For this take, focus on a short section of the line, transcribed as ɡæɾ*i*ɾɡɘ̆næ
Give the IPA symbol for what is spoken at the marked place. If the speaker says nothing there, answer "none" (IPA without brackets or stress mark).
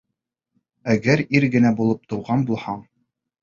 i